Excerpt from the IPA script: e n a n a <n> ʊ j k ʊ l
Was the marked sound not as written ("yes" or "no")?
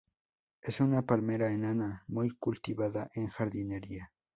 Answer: yes